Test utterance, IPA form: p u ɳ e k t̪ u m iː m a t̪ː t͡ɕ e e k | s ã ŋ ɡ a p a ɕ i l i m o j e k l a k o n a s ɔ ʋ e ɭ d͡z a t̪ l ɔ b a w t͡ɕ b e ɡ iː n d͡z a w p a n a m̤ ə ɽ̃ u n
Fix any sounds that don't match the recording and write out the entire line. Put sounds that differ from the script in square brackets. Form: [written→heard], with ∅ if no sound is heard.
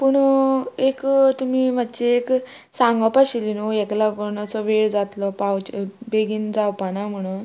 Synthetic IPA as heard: p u ɳ e k t̪ u m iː m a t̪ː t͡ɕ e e k | s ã ŋ ɡ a p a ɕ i l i [m→n] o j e k l a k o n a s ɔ ʋ e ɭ d͡z a t̪ l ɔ [b→p] a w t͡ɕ b e ɡ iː n d͡z a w p a n a m̤ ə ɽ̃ u n

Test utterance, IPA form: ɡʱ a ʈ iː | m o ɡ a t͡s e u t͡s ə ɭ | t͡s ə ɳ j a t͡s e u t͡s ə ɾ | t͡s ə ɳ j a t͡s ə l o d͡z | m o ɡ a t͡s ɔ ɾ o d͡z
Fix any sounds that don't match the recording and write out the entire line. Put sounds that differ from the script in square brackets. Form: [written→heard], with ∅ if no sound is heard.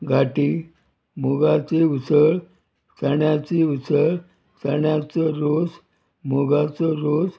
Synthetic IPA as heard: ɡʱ a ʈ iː | m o ɡ a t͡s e u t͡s ə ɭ | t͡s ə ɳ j a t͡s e u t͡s ə [ɾ→ɭ] | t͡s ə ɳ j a t͡s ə [l→ɾ] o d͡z | m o ɡ a t͡s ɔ ɾ o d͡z

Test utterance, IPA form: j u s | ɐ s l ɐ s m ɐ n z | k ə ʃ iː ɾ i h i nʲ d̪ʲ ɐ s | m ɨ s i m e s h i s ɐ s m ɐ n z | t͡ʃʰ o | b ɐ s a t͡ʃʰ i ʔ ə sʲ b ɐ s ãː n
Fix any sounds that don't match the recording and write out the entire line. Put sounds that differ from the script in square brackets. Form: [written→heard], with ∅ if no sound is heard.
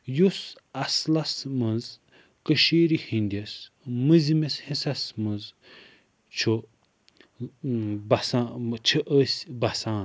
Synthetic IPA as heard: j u s | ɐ s l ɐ s m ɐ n z | k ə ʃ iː ɾ i h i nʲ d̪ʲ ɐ s | m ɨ [s→z] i m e s h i s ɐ s m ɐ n z | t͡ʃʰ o | b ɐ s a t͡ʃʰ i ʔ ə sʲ b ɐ s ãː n

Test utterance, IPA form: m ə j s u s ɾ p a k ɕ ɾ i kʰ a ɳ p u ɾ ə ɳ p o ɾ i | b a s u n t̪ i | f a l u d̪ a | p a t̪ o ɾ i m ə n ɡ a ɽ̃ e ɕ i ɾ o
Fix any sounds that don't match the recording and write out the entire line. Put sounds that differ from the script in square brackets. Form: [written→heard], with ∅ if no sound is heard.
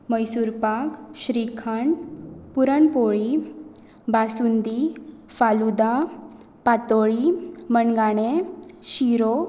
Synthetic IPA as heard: m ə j s u [s→∅] ɾ p a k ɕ ɾ i kʰ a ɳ p u ɾ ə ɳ p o [ɾ→ɭ] i | b a s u n [t̪→d̪] i | f a l u d̪ a | p a t̪ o [ɾ→ɭ] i m ə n ɡ a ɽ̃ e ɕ i ɾ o

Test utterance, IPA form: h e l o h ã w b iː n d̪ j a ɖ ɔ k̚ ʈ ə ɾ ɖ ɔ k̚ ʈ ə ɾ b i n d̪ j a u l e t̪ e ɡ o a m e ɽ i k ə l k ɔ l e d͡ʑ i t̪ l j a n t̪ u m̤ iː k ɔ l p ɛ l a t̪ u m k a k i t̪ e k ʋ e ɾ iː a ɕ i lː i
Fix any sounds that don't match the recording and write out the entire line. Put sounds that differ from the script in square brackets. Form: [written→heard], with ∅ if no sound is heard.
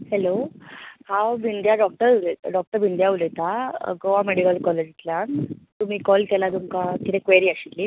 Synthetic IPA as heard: h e l o h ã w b [iː→i] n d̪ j a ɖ ɔ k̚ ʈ ə ɾ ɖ ɔ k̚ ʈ ə ɾ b i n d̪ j a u l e t̪ [e→a] ɡ o a m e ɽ i k ə l k ɔ l e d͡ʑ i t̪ l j a n t̪ u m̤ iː k ɔ l [p→k] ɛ l a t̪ u m k a k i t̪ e k ʋ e ɾ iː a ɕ i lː i

